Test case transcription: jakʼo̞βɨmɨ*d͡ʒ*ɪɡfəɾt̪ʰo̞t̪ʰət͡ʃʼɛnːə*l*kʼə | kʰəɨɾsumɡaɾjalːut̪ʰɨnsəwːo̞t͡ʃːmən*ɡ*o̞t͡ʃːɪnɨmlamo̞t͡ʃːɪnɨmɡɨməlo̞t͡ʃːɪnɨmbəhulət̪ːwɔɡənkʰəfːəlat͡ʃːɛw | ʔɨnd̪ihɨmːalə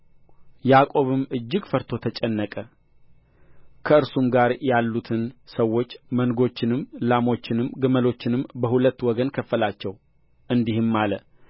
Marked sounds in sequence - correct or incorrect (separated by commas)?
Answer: incorrect, incorrect, correct